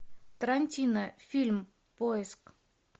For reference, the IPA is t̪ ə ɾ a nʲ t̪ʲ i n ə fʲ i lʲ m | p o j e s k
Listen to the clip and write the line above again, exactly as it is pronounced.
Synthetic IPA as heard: t̪ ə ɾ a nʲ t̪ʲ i n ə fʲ i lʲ m | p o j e s k